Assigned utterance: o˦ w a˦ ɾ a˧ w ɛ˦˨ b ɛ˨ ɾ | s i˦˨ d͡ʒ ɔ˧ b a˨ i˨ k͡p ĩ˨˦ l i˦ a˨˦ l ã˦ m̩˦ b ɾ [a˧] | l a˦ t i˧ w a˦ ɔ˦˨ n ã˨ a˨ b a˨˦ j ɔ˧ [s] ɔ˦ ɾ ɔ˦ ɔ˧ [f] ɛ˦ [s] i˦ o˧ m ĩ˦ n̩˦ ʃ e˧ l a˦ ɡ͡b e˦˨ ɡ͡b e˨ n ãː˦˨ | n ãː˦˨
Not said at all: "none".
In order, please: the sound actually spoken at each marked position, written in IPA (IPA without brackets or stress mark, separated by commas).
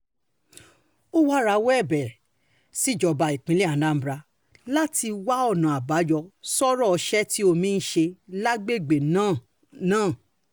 a˧, s, ʃ, t